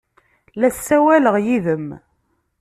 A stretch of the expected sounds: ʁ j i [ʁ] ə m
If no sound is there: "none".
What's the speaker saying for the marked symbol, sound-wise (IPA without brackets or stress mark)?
ð